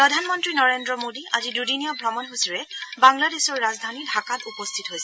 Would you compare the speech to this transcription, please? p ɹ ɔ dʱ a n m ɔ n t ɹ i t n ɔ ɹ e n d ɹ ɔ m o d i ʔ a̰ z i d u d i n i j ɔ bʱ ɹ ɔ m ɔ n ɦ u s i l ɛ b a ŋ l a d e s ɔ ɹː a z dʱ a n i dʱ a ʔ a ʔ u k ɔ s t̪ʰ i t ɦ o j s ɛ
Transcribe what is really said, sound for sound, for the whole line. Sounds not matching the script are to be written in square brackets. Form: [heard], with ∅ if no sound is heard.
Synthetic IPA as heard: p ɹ ɔ dʱ a n m ɔ n t ɹ i [∅] n ɔ ɹ e n d ɹ ɔ m o d i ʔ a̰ z i d u d i n i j ɔ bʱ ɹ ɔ m ɔ n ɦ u s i [ɹ] ɛ b a ŋ l a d e s ɔ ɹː a z dʱ a n i dʱ a [k] a [t] u [p] ɔ s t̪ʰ i t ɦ o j s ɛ